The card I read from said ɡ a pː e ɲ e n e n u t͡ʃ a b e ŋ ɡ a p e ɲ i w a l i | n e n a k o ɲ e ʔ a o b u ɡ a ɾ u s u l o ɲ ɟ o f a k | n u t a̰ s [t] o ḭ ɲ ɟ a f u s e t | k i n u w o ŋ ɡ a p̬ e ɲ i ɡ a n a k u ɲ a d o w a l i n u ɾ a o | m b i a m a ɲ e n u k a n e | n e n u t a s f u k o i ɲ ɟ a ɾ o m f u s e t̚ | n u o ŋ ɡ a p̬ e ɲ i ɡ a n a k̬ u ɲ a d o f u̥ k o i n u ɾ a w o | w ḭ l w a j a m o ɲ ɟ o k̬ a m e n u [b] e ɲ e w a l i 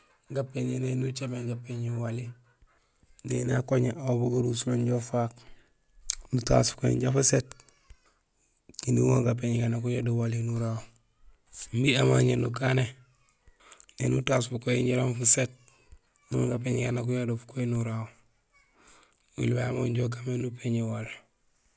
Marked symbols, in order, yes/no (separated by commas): no, no